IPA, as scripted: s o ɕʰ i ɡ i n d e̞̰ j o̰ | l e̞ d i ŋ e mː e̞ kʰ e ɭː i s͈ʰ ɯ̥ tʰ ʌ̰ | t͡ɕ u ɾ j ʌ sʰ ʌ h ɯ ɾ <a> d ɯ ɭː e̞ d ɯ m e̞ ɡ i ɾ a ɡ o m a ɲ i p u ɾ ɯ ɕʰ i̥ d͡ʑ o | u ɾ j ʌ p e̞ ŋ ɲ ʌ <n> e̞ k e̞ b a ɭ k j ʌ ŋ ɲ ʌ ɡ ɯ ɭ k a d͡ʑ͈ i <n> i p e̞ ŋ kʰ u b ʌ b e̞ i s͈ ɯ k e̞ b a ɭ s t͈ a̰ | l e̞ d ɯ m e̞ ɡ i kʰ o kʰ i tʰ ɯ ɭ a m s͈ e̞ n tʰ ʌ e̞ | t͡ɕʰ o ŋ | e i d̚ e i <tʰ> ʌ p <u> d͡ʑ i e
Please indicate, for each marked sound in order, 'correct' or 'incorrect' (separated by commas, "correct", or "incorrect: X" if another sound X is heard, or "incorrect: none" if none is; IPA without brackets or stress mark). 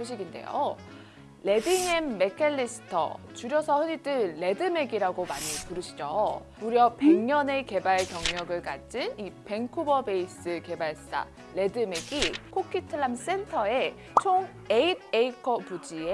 incorrect: i, correct, correct, incorrect: kʰ, correct